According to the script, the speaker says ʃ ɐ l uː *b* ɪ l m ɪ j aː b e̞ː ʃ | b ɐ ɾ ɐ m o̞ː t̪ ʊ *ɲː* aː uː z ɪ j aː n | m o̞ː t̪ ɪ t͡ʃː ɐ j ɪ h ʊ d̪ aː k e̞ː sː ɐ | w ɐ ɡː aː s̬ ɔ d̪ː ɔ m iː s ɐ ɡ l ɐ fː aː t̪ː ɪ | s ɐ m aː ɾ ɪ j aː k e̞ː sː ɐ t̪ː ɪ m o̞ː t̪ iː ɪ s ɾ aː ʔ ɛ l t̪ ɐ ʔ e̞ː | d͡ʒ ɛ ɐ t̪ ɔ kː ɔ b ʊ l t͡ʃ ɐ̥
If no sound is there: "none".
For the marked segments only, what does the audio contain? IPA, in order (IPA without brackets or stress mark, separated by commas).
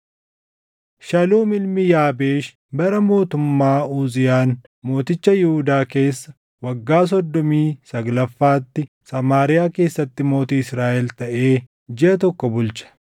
m, mː